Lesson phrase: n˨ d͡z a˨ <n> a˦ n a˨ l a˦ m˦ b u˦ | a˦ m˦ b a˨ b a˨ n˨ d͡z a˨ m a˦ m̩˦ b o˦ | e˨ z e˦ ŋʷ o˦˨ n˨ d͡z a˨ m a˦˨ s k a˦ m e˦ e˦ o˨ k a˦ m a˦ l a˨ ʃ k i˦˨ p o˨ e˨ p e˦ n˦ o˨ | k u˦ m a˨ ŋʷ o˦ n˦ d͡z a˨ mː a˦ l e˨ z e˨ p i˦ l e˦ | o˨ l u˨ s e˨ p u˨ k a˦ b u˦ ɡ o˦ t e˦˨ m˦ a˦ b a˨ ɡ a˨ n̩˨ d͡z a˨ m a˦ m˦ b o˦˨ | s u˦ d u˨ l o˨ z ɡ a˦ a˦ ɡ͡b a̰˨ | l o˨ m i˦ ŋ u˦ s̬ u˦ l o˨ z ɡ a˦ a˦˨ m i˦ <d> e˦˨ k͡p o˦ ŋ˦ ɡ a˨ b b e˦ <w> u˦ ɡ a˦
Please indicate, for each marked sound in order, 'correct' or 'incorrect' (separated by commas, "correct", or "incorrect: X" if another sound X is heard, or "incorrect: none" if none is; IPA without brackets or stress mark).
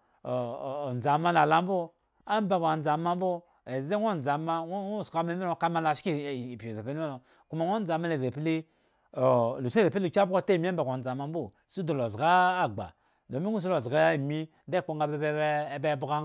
incorrect: m, correct, incorrect: b